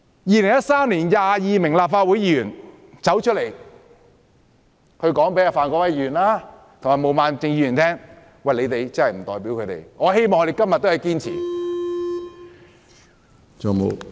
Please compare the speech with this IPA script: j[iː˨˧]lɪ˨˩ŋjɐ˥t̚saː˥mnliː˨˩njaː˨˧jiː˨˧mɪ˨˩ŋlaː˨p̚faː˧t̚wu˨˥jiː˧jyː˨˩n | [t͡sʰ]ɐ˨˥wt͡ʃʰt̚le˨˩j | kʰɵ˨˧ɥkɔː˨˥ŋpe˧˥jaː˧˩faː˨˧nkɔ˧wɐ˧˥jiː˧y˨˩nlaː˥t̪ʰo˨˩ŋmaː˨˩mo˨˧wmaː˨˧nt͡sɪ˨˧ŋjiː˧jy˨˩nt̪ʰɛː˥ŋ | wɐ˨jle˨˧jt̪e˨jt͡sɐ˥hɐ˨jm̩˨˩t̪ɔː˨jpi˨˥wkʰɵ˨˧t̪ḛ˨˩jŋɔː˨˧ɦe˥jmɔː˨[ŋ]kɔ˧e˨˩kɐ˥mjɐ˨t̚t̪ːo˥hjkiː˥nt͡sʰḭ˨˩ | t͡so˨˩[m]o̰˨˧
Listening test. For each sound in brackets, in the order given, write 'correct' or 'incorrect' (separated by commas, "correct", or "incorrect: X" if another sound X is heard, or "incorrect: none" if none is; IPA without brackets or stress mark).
correct, incorrect: t͡s, correct, correct